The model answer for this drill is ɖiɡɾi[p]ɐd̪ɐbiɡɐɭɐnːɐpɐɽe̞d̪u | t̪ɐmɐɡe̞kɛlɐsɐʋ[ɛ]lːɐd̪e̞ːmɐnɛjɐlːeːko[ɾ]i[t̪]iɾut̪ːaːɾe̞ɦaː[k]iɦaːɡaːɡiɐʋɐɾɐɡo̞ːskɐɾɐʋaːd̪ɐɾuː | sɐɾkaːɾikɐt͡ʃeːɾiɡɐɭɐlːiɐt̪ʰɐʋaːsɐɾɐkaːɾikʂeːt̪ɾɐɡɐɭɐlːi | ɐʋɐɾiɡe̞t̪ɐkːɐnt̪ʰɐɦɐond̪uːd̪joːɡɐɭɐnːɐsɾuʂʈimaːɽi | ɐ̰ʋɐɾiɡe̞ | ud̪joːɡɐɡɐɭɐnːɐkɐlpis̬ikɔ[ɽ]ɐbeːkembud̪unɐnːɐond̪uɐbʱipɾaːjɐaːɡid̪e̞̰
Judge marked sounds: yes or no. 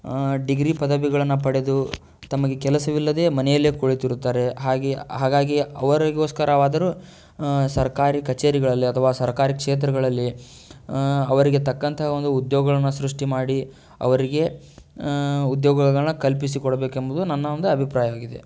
yes, no, no, yes, no, yes

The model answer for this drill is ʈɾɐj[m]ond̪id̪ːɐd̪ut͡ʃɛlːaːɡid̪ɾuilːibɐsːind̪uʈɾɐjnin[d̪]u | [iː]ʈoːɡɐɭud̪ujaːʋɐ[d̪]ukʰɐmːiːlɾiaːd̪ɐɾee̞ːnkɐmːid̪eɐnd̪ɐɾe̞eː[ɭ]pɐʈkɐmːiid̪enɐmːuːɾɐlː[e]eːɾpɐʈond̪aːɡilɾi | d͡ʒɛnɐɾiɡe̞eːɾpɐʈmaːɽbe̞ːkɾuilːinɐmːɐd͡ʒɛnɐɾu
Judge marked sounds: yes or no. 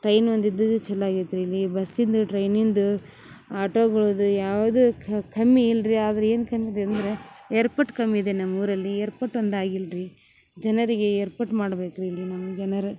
no, yes, no, yes, no, no

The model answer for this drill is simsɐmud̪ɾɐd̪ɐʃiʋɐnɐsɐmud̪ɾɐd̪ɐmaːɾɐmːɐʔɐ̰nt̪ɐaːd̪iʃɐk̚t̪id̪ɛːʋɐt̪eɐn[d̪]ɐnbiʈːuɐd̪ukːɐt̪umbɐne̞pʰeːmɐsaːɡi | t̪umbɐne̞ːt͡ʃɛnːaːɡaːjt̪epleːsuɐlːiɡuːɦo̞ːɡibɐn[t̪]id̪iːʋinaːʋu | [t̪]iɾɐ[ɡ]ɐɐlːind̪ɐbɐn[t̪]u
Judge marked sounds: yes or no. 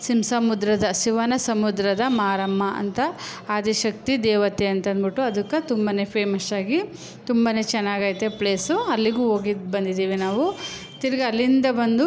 no, no, yes, yes, no

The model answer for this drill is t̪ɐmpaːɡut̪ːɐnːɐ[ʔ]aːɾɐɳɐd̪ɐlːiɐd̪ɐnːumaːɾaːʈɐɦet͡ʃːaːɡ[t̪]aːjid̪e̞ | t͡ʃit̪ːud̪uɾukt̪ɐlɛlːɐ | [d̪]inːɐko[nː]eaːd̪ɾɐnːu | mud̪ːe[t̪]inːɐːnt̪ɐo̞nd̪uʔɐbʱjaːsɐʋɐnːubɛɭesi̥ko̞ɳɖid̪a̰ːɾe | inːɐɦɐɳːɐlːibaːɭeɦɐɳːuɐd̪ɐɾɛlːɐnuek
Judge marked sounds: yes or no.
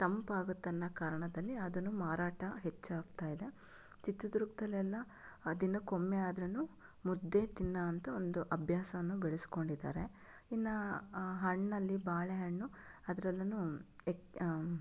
no, yes, yes, no, yes

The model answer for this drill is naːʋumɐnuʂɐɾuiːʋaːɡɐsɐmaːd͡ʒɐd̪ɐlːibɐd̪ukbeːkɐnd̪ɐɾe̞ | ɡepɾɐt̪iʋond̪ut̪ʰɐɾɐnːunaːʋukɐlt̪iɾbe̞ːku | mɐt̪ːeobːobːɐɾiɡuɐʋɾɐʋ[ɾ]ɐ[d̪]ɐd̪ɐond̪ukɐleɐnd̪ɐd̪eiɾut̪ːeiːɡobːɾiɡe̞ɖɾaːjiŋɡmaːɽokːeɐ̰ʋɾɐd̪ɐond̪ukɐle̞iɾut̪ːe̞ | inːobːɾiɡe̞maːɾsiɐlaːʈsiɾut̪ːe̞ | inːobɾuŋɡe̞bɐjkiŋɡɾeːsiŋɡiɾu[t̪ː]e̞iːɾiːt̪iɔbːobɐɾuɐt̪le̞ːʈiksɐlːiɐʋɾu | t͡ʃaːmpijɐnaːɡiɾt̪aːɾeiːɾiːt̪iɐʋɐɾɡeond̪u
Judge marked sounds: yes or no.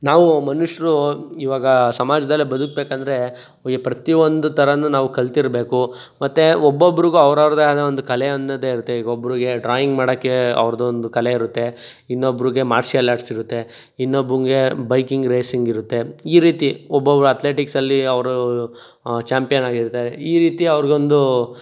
yes, yes, yes

